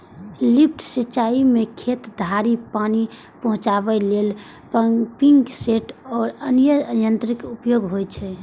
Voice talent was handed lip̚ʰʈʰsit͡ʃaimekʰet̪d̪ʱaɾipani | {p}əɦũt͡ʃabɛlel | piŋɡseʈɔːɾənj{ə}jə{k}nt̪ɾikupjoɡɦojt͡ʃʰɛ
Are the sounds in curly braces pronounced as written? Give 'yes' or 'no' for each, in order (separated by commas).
yes, yes, no